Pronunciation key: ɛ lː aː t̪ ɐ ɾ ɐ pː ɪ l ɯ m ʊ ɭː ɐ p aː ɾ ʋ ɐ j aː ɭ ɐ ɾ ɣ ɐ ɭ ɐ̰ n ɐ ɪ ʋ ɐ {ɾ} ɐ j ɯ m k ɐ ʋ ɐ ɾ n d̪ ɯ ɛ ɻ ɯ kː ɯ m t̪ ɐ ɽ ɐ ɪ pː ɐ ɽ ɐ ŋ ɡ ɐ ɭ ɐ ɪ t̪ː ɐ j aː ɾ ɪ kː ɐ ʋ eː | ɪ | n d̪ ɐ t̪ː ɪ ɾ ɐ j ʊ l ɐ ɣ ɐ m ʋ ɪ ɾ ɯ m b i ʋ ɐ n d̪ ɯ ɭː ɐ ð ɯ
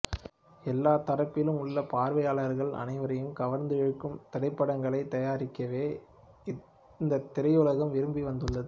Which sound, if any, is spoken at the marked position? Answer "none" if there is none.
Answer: ɾ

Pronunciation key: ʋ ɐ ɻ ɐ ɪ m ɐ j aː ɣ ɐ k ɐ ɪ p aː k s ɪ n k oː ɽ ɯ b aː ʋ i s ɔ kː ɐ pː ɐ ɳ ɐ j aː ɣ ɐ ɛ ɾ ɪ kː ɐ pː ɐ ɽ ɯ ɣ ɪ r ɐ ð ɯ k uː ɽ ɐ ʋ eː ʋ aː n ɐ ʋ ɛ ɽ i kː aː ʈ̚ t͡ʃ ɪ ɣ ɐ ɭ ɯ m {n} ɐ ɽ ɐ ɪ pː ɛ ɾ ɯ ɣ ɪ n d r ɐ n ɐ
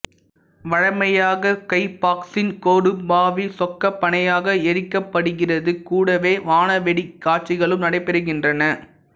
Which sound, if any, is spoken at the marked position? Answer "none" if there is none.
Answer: n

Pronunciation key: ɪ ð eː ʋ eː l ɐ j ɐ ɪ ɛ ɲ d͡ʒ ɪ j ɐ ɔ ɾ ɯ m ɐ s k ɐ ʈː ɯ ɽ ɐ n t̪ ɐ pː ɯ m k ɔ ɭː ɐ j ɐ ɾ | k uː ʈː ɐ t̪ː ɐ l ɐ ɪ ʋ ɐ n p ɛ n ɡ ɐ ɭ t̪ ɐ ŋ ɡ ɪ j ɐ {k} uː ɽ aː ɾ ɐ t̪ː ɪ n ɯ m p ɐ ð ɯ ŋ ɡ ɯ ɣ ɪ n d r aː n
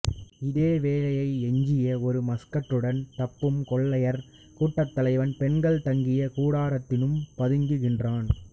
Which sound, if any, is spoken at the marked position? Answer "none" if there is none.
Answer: k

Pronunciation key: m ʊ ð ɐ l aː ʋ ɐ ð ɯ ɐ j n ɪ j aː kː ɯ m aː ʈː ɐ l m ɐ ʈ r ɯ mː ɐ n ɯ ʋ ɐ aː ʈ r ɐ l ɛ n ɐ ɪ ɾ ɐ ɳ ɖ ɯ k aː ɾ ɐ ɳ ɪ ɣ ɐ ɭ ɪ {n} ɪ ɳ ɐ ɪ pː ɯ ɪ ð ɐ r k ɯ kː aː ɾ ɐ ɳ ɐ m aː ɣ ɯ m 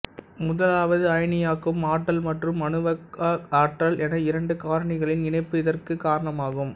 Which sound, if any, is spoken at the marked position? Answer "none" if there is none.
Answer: n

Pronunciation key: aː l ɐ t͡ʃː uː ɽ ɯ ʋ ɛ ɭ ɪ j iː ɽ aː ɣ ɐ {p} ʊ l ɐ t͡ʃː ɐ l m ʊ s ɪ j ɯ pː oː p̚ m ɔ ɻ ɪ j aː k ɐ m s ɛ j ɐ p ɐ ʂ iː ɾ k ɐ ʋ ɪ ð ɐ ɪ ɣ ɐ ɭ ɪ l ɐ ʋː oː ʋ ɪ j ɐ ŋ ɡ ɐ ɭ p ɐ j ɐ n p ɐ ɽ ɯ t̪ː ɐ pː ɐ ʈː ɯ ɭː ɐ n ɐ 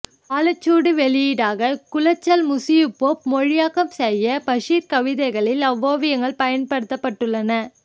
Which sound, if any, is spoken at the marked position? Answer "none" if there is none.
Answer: k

